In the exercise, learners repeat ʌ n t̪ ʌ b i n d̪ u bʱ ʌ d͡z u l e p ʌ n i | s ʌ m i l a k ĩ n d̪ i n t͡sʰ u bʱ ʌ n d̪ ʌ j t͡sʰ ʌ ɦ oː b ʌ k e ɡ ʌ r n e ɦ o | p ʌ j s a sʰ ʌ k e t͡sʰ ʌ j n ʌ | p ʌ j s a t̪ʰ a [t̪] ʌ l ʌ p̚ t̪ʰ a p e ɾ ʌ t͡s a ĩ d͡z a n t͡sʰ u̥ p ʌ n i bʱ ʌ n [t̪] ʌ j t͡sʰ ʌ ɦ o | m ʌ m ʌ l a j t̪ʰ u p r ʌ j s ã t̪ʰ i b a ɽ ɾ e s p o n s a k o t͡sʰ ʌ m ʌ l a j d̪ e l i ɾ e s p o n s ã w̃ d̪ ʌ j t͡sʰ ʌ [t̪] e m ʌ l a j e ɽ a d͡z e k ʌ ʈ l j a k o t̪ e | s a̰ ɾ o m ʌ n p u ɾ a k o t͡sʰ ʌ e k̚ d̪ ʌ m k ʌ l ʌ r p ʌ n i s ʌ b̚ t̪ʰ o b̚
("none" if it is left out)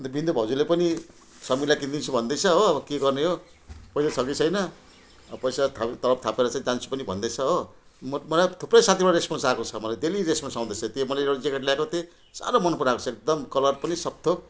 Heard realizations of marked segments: t̪, d̪, t̪

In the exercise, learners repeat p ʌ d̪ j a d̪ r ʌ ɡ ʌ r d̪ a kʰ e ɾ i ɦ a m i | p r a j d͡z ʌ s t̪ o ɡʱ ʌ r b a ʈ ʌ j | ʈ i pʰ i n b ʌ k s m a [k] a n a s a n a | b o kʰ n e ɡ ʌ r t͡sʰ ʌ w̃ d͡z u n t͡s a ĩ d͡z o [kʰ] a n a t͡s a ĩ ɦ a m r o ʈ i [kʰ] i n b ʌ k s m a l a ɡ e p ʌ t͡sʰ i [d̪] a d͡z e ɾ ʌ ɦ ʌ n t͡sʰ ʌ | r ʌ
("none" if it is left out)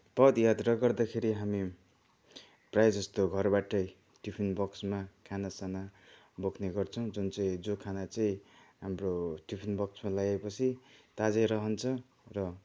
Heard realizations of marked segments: kʰ, kʰ, pʰ, t̪

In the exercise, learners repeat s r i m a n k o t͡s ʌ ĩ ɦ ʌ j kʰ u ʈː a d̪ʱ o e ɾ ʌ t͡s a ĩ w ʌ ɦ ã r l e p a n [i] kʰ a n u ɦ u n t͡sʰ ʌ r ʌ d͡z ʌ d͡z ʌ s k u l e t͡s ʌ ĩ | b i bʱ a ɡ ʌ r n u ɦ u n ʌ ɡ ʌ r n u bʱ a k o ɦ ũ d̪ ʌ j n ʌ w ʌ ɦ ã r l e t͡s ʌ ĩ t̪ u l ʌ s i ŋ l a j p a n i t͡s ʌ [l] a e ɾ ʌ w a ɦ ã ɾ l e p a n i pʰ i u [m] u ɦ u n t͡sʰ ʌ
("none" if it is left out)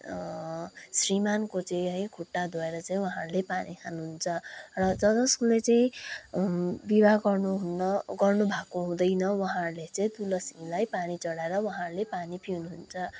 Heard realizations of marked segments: i, ɽ, n

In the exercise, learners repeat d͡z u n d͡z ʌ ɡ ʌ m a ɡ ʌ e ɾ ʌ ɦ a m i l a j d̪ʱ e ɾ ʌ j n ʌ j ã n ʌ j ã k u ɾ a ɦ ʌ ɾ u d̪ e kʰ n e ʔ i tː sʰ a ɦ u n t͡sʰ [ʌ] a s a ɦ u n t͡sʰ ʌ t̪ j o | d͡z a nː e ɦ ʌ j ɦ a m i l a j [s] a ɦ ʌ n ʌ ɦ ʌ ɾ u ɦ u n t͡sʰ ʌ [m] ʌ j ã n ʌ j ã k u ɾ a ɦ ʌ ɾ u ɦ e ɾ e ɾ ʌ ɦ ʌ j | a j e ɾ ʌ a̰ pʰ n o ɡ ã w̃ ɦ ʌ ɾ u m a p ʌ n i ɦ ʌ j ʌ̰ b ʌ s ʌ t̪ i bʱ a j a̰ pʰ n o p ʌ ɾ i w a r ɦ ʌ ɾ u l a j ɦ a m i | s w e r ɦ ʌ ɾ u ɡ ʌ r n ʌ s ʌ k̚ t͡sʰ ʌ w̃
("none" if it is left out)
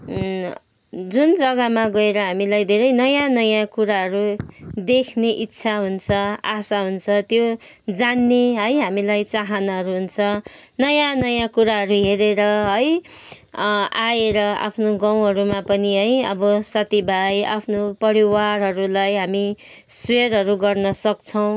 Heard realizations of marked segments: ʌ, t͡s, n

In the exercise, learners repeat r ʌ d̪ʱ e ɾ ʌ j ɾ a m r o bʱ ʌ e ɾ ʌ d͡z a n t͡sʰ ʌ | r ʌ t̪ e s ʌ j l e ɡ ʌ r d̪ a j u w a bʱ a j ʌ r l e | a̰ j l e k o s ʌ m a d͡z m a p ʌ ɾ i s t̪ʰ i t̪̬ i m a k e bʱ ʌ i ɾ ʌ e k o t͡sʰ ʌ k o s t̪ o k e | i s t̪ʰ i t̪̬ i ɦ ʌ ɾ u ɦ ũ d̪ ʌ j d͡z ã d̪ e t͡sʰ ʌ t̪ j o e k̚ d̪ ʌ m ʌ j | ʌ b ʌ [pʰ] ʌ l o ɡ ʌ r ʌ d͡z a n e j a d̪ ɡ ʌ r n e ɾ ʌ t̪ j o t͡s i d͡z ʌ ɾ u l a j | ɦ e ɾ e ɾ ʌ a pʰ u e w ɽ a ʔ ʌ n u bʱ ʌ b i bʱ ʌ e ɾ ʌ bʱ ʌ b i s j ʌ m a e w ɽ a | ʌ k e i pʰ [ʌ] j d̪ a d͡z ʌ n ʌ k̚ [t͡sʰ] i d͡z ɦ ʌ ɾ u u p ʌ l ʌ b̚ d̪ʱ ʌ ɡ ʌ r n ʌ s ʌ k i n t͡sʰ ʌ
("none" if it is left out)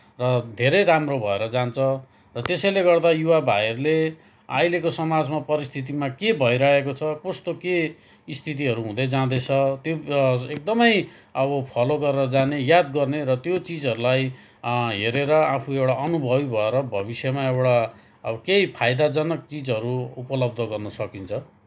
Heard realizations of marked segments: pʰ, a, t͡s

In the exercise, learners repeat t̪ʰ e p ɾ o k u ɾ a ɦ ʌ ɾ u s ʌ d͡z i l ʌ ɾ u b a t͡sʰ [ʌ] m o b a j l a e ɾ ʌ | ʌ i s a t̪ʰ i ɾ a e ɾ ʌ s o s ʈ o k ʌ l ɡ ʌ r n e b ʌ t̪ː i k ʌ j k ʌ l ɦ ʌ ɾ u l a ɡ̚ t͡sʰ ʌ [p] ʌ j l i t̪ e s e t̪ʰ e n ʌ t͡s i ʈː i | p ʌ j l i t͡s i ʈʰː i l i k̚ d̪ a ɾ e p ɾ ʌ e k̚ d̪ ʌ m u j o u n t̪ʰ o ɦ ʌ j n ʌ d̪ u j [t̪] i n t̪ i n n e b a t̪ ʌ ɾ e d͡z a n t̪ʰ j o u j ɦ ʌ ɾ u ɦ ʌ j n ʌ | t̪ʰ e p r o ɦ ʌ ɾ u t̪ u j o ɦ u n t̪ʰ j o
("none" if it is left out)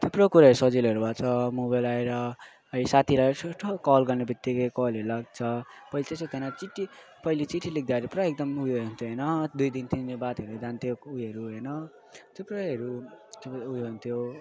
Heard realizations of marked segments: ʌ, p, d̪

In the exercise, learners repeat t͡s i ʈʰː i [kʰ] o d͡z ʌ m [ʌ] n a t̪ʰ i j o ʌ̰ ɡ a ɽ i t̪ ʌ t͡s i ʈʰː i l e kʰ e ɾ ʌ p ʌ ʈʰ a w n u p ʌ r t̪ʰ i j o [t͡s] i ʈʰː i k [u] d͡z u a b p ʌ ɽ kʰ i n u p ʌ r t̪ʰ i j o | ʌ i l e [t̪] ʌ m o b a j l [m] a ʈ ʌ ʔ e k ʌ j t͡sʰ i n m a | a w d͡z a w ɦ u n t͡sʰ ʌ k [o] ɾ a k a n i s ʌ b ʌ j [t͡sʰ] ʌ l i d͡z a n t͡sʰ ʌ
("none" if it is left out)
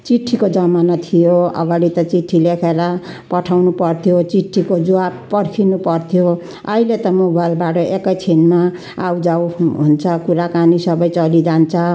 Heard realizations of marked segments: k, a, t͡s, o, t̪, b, u, t͡s

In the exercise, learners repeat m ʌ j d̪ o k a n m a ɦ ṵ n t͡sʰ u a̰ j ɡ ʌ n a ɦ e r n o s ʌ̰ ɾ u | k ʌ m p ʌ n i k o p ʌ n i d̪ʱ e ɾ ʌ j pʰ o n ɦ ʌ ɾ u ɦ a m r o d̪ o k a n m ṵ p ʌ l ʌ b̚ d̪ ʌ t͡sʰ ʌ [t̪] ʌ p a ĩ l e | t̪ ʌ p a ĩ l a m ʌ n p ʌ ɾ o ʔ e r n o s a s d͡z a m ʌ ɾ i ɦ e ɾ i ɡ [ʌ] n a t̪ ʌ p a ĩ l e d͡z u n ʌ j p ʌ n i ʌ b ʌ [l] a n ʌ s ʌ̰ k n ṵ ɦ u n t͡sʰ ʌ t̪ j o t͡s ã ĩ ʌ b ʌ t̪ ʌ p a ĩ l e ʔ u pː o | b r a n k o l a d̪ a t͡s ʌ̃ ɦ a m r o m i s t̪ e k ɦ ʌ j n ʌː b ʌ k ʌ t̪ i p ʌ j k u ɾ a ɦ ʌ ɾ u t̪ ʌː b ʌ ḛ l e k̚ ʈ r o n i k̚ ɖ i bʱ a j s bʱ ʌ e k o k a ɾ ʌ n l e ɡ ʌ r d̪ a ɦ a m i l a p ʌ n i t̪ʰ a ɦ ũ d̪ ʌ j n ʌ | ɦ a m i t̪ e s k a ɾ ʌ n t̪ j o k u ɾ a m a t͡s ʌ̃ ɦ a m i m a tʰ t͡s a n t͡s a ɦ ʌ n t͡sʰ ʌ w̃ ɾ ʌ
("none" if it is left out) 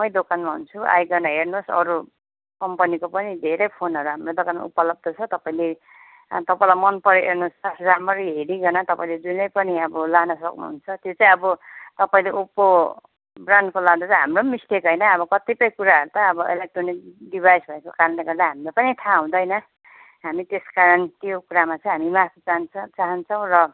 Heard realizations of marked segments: t̪, ʌ, l

